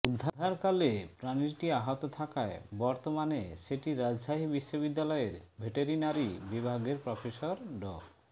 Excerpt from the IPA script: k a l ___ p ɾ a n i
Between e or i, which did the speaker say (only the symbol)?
e